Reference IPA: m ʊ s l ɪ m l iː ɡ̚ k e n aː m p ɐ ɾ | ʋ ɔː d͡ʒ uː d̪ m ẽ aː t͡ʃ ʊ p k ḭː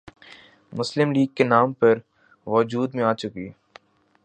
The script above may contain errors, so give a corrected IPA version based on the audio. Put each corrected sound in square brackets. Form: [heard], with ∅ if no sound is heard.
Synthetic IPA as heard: m ʊ s l ɪ m l iː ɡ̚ k e n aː m p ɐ ɾ | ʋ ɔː d͡ʒ uː d̪ m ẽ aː t͡ʃ ʊ [∅] k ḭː